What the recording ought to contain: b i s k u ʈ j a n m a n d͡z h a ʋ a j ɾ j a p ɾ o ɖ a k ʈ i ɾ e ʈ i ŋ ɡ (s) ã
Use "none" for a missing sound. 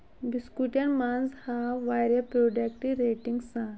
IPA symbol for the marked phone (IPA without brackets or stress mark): s